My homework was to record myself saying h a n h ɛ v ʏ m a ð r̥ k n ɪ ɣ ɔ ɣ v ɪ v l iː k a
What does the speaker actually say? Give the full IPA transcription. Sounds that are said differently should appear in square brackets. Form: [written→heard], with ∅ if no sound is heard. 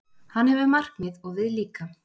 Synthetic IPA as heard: h a n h ɛ v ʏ m a [ð→∅] r̥ k [n→m] ɪ [ɣ→ð] ɔ ɣ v ɪ [v→ð] l iː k a